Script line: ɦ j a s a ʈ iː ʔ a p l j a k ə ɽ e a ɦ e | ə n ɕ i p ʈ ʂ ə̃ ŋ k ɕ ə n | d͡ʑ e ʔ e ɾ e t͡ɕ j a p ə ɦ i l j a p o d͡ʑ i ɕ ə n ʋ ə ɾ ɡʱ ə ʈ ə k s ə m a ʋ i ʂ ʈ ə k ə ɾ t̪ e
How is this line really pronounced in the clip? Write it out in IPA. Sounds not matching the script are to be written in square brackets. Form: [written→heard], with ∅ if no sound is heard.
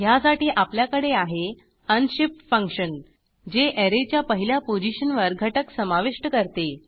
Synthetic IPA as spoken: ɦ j a s a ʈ iː ʔ a p l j a k ə ɽ e a ɦ e | ə n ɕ i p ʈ [ʂ→f] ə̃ ŋ k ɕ ə n | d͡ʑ e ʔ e ɾ e t͡ɕ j a p ə ɦ i l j a p o d͡ʑ i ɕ ə n ʋ ə ɾ ɡʱ ə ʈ ə k s ə m a ʋ i ʂ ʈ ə k ə ɾ t̪ e